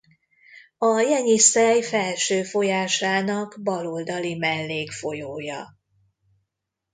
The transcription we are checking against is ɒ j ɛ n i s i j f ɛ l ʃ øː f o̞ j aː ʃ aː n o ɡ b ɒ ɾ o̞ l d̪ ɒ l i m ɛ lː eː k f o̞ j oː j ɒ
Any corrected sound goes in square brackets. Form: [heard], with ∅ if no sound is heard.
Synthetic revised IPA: ɒ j ɛ [ɲ] i s [ɛ] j f ɛ l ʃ øː f o̞ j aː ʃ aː n [ɒ] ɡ b ɒ [l] o̞ l d̪ ɒ l i m ɛ lː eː k f o̞ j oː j ɒ